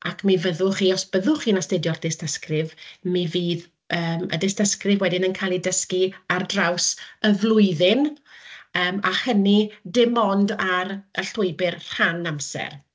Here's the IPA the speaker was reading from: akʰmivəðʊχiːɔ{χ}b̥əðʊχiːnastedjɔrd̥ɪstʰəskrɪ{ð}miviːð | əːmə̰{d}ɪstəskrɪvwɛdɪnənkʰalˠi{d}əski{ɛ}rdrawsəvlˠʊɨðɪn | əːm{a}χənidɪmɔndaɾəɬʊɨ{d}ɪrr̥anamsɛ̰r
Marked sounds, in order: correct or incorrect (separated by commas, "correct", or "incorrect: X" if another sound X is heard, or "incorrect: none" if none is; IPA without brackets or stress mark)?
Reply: incorrect: s, incorrect: v, correct, correct, incorrect: a, correct, incorrect: b